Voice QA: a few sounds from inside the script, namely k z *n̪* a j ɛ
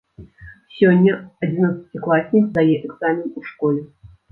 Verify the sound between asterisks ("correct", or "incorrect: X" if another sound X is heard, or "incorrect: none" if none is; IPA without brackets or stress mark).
incorrect: d̪